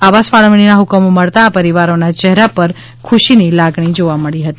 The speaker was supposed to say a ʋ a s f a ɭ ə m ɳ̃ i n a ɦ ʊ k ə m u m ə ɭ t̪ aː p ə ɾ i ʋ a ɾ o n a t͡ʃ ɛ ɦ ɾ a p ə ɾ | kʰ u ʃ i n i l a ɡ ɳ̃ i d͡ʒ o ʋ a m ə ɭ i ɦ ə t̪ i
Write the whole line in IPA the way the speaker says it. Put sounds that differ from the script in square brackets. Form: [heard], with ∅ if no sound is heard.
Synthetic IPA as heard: a ʋ a s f a ɭ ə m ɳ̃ i n a ɦ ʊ k ə m [o] m ə ɭ t̪ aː p ə ɾ i ʋ a ɾ o n a t͡ʃ ɛ ɦ ɾ a p ə ɾ | kʰ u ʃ i n i l a ɡ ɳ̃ i d͡ʒ o ʋ a m ə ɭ i ɦ ə t̪ i